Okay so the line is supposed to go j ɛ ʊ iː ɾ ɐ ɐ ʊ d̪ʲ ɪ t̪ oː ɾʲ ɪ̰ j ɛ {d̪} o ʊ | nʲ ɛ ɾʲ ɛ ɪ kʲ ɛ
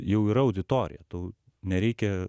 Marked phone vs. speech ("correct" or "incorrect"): incorrect